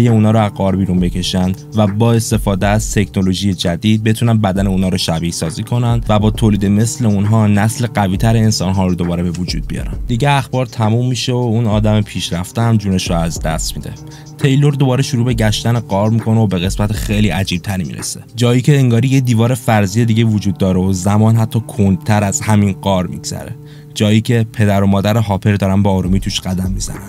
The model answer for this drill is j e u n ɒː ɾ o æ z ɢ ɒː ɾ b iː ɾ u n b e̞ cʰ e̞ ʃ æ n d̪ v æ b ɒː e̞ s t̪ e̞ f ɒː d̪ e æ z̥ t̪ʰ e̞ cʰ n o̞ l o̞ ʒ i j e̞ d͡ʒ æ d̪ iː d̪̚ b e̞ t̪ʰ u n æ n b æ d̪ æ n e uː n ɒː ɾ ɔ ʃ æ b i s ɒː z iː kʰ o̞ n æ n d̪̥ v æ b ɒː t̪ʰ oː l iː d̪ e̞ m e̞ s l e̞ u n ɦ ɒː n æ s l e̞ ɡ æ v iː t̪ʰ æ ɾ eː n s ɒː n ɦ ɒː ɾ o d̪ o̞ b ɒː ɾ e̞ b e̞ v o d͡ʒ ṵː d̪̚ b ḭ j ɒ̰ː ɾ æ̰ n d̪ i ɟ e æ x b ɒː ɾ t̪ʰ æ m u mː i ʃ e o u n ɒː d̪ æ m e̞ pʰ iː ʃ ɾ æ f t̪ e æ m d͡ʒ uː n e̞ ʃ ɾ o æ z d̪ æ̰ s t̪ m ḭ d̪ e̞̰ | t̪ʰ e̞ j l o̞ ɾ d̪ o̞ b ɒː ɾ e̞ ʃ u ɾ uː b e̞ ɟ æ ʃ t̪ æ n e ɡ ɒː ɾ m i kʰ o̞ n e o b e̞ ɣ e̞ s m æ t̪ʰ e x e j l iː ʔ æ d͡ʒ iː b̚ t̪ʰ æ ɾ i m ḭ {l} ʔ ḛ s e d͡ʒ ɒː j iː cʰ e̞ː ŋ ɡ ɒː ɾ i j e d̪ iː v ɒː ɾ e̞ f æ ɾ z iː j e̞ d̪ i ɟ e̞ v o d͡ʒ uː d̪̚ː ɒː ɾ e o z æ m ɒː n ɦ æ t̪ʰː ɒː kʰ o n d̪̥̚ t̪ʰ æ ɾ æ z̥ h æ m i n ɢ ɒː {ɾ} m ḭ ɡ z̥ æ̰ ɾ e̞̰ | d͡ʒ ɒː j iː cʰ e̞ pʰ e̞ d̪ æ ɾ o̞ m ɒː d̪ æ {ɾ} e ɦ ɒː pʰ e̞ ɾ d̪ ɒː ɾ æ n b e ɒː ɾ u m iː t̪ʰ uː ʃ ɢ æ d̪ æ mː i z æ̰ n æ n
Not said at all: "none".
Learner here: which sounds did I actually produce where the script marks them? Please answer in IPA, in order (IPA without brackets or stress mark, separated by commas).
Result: ɾ, ɾ, ɾ